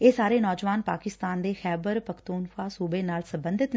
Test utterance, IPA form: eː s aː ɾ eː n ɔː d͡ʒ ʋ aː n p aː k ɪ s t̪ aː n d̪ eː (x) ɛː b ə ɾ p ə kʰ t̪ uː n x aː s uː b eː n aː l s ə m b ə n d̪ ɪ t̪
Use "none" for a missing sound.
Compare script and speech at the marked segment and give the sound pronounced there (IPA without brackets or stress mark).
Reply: x